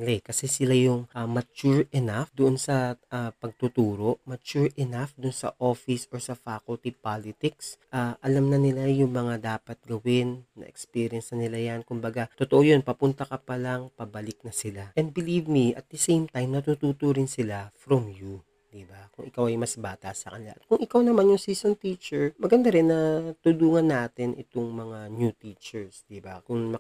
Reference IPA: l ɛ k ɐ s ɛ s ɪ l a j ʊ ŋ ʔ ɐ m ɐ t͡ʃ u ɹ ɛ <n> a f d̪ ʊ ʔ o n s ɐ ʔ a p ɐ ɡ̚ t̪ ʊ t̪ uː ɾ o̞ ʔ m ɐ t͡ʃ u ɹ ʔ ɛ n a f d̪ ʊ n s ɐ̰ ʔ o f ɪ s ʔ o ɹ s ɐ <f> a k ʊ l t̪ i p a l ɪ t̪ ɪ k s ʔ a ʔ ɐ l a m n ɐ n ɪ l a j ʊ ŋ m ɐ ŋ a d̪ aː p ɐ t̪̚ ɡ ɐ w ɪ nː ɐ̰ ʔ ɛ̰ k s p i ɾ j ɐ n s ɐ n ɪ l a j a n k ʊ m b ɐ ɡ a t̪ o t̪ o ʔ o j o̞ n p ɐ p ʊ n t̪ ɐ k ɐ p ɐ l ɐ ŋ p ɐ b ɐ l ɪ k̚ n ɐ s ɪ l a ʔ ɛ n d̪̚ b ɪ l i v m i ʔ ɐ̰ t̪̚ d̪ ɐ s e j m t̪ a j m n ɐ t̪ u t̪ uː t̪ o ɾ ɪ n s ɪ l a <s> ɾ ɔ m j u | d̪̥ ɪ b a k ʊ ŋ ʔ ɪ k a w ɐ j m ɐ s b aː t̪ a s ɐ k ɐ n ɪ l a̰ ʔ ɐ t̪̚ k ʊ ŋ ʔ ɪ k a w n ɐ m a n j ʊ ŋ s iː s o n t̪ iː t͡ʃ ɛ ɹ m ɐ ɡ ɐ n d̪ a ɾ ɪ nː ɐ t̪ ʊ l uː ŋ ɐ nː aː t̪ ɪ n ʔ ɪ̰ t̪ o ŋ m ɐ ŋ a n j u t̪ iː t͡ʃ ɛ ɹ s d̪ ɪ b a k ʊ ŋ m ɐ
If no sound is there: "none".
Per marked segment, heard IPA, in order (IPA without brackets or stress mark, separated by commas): n, f, f